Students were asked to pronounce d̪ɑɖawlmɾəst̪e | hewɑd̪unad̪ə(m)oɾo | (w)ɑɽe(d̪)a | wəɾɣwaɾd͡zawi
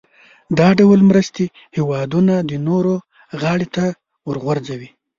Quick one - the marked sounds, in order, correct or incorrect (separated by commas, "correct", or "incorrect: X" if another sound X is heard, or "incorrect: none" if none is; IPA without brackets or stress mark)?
incorrect: n, incorrect: ɣ, incorrect: t̪